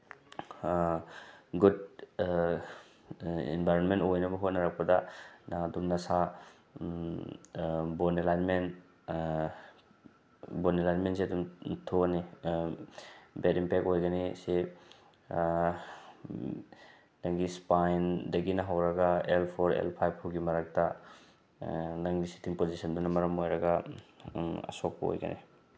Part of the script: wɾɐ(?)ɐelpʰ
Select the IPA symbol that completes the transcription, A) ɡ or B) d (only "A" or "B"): A